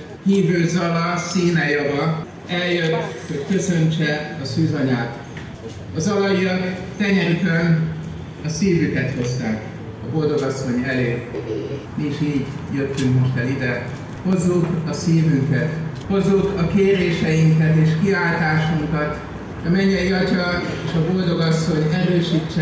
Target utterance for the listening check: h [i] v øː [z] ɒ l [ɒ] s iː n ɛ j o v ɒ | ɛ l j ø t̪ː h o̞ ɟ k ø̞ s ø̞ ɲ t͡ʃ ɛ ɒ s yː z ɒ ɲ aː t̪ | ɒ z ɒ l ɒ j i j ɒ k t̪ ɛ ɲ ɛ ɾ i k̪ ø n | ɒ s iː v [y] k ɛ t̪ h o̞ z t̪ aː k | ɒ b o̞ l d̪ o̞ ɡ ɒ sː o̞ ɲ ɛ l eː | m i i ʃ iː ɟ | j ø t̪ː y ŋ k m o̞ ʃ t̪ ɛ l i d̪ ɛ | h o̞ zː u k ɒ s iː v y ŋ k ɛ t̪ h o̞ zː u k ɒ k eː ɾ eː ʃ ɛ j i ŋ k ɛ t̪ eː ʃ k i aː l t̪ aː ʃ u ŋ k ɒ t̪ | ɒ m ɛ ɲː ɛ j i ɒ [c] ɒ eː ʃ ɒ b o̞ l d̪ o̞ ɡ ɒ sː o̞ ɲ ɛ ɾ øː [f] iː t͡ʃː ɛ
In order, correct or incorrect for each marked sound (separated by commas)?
incorrect, correct, correct, correct, correct, incorrect